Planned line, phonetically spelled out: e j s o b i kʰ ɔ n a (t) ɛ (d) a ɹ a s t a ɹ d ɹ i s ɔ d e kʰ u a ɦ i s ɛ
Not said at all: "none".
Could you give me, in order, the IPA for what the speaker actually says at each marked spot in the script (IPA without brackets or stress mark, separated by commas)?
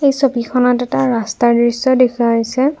t, t